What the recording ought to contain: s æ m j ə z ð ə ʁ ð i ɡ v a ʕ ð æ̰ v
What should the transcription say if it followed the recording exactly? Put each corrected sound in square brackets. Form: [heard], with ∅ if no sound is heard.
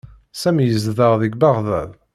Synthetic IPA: s æ m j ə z ð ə ʁ ð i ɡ [b] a [ʁ] ð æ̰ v

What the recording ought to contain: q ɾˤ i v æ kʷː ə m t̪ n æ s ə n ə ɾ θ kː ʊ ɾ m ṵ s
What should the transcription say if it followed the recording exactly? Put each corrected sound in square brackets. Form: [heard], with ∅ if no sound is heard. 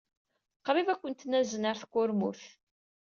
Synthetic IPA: q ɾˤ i v æ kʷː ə [n] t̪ n æ [z] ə n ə ɾ θ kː ʊ ɾ m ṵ [θ]

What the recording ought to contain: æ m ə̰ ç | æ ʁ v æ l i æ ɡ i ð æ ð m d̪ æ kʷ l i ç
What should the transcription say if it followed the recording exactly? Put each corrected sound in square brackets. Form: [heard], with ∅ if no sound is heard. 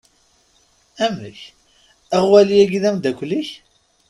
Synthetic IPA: æ m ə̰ ç | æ ʁ [w] æ l i æ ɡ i ð æ [∅] m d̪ æ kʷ l i ç

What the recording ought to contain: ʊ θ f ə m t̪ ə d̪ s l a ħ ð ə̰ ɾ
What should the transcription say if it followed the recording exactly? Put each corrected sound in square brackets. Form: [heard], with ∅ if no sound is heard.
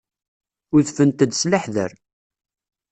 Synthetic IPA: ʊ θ f ə [n] t̪ ə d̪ s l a ħ ð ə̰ ɾ

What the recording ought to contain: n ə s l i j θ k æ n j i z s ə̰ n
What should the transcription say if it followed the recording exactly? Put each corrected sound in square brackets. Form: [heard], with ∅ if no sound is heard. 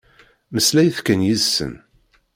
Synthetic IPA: [m] ə s l [æ] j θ k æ n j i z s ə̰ n

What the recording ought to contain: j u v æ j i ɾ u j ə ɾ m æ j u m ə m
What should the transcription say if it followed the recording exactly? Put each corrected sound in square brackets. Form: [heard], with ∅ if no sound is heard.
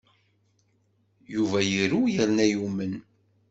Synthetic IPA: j u v æ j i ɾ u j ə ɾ [n] æ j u m ə [n]

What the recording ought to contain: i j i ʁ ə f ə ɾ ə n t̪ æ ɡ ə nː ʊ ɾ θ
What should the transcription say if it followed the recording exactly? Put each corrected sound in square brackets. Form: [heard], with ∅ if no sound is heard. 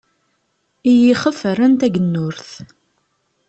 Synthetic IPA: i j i [χ] ə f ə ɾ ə n t̪ æ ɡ ə nː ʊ ɾ θ

